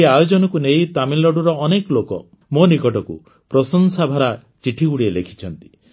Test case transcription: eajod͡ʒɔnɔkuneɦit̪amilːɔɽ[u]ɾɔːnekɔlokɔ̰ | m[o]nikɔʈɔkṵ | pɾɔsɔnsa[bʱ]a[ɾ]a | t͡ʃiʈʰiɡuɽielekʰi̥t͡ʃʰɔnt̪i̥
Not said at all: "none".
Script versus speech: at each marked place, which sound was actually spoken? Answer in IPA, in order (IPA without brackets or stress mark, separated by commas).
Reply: u, o, bʱ, ɾ